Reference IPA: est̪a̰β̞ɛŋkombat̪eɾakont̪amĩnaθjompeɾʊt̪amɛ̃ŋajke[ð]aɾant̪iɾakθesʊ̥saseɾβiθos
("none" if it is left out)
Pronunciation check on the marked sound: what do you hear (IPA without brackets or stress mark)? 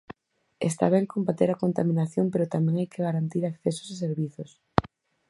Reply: ɣ